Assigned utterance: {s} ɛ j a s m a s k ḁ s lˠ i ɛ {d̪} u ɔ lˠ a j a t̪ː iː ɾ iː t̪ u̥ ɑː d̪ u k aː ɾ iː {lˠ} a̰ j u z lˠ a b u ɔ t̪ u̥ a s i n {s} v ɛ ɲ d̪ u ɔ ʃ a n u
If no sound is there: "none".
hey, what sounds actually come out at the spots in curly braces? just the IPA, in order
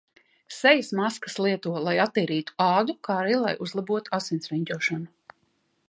s, t̪, lˠ, s

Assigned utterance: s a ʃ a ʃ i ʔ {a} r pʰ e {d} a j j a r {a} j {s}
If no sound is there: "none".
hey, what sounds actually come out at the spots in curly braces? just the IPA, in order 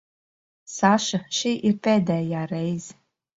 i, d, e, z

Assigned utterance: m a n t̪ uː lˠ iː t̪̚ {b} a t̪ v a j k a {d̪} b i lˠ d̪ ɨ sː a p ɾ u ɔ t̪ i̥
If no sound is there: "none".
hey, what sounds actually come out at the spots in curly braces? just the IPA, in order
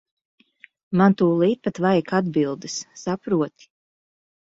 p, d̪

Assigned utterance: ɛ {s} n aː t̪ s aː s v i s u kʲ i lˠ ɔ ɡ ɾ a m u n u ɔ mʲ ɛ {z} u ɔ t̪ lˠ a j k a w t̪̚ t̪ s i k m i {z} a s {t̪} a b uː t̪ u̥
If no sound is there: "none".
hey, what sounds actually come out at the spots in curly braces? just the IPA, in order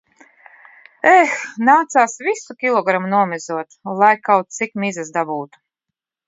x, z, z, d̪

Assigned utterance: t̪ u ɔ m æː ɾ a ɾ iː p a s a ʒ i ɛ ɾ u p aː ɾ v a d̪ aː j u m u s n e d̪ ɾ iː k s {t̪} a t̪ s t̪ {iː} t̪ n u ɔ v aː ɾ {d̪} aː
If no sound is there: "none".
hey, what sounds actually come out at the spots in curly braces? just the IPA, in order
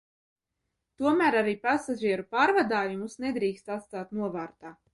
t̪, aː, t̪

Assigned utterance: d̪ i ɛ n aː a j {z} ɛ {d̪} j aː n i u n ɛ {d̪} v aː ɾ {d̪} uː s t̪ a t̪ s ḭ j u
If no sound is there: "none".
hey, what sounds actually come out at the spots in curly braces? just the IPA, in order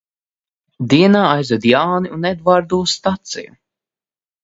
z, d̪, d̪, d̪

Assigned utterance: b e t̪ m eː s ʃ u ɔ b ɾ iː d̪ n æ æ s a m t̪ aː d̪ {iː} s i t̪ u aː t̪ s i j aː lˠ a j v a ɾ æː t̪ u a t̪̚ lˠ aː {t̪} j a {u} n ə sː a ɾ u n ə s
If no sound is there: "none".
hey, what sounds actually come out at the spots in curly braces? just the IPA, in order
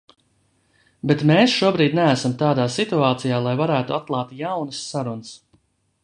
aː, t̪, w

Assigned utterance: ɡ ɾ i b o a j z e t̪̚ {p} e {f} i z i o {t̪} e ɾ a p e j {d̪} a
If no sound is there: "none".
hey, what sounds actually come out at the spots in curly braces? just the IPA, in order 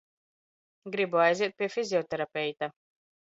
p, f, t̪, t̪

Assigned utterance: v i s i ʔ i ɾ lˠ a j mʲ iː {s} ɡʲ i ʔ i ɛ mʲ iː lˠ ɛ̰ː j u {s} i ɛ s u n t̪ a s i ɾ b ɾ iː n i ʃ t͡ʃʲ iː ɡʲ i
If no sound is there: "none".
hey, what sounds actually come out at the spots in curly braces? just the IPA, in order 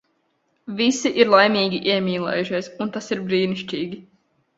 none, ʃ

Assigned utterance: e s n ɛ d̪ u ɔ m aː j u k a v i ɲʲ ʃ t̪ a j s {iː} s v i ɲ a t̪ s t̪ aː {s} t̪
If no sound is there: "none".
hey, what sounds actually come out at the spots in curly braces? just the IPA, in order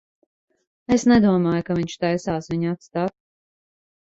aː, none

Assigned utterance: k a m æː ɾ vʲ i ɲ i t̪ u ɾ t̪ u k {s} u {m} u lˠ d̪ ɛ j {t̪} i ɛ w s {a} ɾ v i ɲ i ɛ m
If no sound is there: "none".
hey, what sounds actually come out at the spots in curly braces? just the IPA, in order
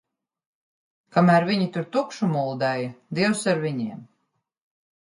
ʃ, m, d̪, a

